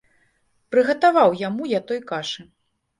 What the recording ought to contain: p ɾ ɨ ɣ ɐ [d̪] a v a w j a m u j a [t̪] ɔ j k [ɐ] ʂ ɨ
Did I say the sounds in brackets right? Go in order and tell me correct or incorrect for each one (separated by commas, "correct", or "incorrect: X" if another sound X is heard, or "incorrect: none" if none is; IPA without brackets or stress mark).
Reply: incorrect: t̪, correct, incorrect: a